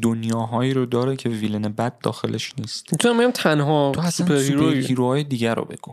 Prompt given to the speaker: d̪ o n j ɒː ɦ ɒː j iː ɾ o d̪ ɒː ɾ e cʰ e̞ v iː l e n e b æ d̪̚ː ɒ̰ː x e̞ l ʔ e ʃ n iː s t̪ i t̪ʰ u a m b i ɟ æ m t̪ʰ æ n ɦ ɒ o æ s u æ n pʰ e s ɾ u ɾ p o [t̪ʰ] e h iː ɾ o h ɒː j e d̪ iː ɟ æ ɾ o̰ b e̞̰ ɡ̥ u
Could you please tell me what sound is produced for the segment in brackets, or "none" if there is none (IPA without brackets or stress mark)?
none